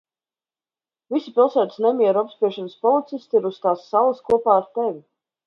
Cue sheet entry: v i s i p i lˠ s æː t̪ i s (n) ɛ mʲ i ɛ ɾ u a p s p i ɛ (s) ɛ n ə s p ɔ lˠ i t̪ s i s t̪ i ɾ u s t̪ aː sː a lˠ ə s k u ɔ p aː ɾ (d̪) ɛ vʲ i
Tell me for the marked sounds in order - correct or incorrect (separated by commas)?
correct, incorrect, incorrect